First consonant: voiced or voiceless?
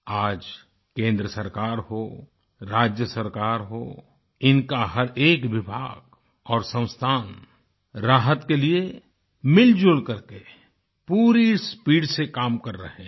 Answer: voiced